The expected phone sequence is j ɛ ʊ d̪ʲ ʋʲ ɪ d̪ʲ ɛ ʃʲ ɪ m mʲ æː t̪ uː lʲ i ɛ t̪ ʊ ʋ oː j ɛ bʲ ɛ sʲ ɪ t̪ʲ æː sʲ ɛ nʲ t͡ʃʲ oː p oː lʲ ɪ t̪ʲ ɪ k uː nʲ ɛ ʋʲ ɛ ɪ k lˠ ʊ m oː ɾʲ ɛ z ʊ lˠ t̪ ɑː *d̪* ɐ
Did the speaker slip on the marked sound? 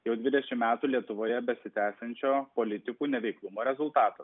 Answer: yes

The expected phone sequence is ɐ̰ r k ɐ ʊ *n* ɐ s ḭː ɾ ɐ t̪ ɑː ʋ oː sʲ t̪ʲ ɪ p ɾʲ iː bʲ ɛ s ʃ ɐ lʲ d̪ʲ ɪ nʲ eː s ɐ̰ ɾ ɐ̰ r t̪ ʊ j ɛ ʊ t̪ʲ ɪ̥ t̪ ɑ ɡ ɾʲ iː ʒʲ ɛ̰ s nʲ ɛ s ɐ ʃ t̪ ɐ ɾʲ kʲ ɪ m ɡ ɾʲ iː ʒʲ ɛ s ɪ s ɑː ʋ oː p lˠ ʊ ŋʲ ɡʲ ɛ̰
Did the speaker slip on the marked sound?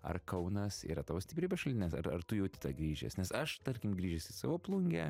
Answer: no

